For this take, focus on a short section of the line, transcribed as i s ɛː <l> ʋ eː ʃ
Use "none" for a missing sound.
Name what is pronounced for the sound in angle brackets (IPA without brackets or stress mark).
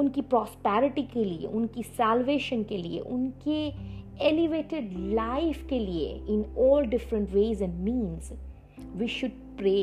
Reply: l